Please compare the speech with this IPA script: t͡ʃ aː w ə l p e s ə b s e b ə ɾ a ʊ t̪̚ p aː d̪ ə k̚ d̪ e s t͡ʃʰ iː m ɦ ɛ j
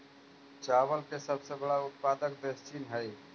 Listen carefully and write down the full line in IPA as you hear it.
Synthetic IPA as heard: t͡ʃ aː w ə l k e s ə b s e b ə ɽ a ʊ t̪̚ p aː d̪ ə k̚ d̪ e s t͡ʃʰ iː n ɦ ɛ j